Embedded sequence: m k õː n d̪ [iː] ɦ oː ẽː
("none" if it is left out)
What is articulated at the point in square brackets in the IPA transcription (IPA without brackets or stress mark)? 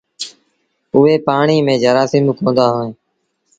aː